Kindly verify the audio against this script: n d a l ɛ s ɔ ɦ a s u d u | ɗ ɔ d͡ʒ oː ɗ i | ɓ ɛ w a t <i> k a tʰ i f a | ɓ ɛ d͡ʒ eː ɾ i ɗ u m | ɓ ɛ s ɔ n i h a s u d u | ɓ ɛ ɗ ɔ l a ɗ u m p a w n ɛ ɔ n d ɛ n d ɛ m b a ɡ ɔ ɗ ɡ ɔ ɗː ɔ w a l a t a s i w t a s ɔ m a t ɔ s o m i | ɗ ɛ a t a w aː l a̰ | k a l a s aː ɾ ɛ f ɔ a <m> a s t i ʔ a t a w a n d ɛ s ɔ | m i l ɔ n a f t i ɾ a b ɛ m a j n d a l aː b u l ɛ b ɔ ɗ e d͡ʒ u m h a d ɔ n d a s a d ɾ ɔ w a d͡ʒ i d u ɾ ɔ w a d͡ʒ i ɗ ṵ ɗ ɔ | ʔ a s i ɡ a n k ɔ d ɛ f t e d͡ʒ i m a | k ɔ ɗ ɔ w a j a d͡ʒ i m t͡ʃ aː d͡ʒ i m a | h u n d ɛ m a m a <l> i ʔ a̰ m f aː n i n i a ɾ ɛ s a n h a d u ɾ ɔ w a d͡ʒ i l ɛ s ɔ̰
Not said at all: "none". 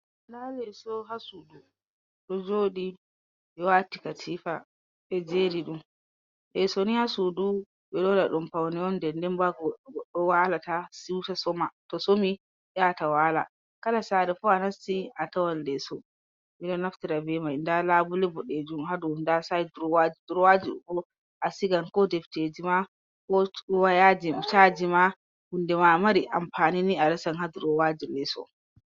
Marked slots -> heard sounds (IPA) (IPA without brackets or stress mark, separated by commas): i, n, ɾ